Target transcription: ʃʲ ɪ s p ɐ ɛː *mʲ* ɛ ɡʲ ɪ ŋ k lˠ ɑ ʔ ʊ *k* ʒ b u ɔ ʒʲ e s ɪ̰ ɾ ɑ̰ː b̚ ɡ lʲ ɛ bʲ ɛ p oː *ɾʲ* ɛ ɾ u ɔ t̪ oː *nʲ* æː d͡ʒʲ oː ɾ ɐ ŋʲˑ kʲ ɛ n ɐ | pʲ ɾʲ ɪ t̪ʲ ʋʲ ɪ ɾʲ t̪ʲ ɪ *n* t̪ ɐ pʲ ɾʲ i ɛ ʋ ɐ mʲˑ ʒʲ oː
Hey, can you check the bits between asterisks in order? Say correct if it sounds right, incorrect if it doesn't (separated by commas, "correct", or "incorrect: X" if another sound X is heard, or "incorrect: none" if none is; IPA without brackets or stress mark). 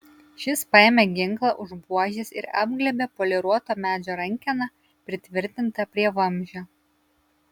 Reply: correct, incorrect: none, incorrect: lʲ, incorrect: mʲ, correct